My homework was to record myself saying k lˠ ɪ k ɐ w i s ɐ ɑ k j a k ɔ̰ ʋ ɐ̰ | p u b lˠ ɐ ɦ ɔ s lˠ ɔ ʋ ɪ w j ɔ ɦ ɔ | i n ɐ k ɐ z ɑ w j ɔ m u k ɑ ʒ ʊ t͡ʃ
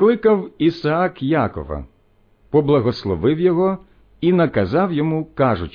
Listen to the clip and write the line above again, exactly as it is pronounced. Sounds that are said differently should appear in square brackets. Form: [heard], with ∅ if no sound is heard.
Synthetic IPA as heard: k lˠ ɪ k ɐ w i s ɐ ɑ k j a k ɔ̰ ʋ ɐ̰ | p [ɔ] b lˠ ɐ ɦ ɔ s lˠ ɔ ʋ ɪ w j ɔ ɦ ɔ | i n ɐ k ɐ z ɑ w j ɔ m u k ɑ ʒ ʊ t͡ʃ